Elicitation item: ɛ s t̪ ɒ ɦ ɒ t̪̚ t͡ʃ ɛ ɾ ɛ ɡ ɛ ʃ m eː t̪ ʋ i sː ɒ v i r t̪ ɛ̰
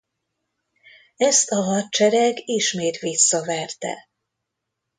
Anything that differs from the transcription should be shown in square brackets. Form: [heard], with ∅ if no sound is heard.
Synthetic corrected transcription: ɛ s t̪ ɒ ɦ ɒ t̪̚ t͡ʃ ɛ ɾ ɛ ɡ [i] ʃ m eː t̪ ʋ i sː ɒ v [ɛ] r t̪ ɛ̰